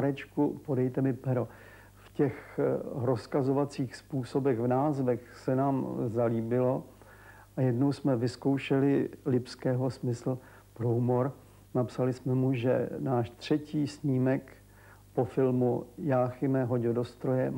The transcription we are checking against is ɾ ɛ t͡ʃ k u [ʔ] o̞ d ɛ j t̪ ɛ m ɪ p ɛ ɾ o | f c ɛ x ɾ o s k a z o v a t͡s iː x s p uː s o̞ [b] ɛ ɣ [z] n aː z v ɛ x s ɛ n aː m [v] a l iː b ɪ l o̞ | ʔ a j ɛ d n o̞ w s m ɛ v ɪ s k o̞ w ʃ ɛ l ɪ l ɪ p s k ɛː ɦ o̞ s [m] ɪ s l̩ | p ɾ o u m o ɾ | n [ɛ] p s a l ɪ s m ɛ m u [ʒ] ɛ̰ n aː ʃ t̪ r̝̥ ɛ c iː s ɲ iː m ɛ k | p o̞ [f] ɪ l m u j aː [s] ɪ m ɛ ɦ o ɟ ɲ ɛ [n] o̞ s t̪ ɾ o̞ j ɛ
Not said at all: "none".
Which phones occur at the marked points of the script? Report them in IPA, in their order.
p, b, v, z, m, a, ʒ, f, x, d

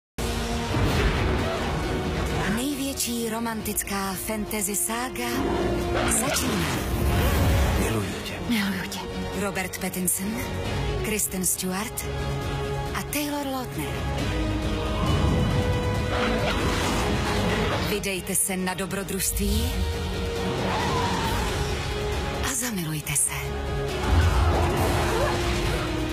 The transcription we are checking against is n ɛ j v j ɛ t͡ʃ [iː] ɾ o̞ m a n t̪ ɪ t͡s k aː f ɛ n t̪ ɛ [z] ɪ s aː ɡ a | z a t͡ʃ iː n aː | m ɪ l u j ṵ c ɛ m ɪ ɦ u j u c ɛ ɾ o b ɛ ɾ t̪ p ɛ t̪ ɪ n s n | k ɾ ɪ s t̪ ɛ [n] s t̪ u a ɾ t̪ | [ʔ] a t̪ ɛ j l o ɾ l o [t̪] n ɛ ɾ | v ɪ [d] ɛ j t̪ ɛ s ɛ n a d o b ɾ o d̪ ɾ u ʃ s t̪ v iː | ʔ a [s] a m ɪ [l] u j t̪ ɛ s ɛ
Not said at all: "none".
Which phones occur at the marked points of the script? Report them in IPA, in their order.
iː, z, n, ʔ, t̪, d, z, l

